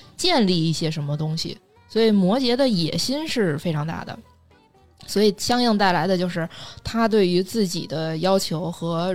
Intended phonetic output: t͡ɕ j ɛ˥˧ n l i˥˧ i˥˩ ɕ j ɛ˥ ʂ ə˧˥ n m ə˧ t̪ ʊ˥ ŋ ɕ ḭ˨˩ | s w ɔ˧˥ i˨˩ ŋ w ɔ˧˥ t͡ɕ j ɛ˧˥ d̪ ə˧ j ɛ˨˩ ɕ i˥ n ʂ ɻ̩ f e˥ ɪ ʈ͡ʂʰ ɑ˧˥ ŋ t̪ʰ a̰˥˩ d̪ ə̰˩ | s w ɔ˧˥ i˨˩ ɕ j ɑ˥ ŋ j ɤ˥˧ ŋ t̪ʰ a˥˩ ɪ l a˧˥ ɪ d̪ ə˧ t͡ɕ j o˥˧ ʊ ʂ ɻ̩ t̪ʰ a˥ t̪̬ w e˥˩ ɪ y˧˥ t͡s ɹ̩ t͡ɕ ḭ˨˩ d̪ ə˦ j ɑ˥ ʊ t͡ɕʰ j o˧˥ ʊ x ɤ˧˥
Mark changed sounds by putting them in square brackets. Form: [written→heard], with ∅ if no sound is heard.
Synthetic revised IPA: t͡ɕ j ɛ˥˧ n l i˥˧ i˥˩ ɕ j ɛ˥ ʂ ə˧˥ n m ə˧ t̪ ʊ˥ ŋ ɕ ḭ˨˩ | s w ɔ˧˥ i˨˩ [ŋ→m] w ɔ˧˥ t͡ɕ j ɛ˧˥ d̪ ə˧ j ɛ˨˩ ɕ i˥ n ʂ ɻ̩ f e˥ ɪ ʈ͡ʂʰ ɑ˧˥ ŋ [t̪ʰ→t̪] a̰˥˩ d̪ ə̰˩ | s w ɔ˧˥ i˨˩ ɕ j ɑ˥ ŋ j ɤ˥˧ ŋ [t̪ʰ→t̪] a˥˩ ɪ l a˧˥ ɪ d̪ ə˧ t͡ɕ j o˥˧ ʊ ʂ ɻ̩ t̪ʰ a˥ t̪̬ w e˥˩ ɪ y˧˥ t͡s ɹ̩ t͡ɕ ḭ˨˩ d̪ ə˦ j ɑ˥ ʊ t͡ɕʰ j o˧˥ ʊ x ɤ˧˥